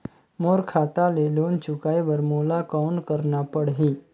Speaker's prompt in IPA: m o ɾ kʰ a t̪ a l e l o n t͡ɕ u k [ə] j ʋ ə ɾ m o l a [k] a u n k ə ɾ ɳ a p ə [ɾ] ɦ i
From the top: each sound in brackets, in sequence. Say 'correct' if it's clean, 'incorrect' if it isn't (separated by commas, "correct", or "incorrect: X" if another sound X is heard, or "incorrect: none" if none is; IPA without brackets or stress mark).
incorrect: a, correct, incorrect: ɽ